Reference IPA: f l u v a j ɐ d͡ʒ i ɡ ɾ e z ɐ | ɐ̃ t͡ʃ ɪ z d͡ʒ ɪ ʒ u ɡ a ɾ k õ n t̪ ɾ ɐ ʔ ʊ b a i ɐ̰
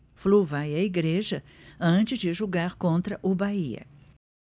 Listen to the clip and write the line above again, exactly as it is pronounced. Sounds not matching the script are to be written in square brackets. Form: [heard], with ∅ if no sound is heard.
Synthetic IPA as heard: f l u v a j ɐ [∅] i ɡ ɾ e [ʒ] ɐ | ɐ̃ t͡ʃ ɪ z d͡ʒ ɪ ʒ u ɡ a ɾ k õ n t̪ ɾ ɐ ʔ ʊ b a i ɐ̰